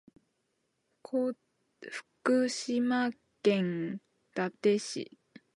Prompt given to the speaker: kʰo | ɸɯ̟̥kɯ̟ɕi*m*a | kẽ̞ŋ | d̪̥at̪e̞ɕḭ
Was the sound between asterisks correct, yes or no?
yes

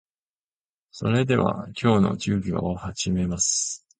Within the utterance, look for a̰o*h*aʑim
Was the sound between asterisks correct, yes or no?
yes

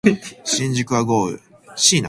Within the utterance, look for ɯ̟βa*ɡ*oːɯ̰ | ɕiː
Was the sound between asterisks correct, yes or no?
yes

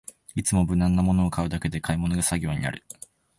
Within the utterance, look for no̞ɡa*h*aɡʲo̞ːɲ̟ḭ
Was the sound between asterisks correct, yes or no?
no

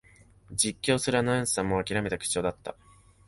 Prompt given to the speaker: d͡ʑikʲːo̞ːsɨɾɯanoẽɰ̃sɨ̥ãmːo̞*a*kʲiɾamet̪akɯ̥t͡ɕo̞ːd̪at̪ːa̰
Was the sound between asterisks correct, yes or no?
yes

